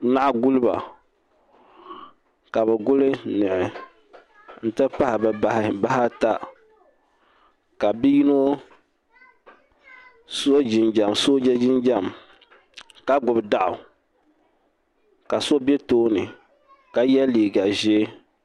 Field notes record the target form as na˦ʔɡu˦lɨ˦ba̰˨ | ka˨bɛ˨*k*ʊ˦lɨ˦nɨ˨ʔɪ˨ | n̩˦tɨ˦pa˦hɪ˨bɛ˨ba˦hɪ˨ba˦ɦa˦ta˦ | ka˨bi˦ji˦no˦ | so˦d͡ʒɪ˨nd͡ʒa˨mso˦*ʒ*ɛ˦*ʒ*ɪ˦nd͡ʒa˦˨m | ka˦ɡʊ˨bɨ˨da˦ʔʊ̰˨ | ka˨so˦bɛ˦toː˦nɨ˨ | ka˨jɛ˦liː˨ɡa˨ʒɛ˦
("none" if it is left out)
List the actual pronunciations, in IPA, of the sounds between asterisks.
ɡ, d͡ʒ, d͡ʒ

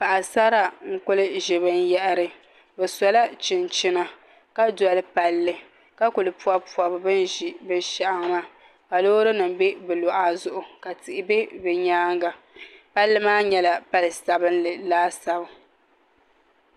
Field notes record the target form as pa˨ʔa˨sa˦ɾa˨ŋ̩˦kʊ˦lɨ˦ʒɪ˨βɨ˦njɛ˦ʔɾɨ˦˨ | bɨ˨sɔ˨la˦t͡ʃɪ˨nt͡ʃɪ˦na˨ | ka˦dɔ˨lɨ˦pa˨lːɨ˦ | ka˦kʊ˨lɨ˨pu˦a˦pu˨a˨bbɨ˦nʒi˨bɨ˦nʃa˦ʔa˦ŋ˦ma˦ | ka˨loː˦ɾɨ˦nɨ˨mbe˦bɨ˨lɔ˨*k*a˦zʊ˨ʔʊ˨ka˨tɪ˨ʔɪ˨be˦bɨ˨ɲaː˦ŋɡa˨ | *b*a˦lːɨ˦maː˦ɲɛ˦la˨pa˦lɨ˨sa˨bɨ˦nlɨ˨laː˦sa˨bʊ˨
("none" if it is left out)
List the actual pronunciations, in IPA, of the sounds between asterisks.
ʔ, p

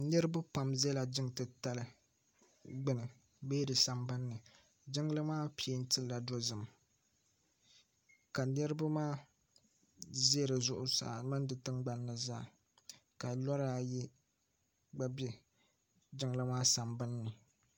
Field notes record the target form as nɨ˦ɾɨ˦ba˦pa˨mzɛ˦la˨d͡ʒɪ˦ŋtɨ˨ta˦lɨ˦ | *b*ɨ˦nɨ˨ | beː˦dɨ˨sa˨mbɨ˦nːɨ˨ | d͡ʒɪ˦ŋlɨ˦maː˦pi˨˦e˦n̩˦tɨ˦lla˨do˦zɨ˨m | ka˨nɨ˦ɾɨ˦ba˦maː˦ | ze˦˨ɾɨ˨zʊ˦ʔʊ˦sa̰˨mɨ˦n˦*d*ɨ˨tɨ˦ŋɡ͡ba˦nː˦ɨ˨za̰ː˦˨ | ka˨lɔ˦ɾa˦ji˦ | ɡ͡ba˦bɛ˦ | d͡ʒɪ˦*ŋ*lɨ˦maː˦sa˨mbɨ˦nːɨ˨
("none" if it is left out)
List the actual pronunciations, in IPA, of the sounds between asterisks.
ɡ͡b, d, ŋ

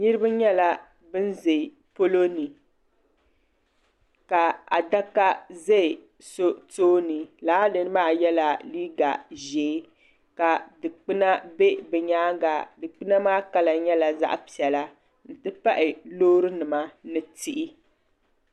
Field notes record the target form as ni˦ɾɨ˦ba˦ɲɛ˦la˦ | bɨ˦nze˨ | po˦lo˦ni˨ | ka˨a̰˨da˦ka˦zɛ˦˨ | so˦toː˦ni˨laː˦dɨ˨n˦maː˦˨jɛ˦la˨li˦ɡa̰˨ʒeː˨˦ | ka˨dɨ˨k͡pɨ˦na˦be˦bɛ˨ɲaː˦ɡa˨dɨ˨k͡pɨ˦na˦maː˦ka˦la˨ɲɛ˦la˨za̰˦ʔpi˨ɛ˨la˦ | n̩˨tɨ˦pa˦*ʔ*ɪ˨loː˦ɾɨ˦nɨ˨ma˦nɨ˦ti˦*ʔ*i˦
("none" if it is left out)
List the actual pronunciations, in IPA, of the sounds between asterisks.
ʔ, ʔ

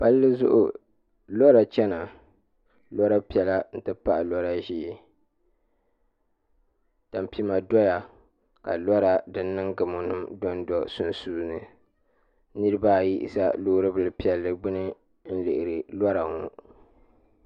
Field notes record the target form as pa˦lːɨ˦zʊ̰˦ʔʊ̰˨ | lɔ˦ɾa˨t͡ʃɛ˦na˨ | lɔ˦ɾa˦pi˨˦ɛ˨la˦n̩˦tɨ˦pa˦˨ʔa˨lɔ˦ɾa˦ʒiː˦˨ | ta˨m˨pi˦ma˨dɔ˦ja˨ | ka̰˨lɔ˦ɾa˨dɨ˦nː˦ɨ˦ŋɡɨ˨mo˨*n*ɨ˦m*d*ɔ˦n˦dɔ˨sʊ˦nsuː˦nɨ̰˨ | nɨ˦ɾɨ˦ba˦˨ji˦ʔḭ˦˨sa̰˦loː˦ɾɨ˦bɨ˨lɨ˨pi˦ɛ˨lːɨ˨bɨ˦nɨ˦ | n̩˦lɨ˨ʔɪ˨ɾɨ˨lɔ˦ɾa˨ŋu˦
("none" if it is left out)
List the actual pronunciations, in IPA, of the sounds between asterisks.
n, d

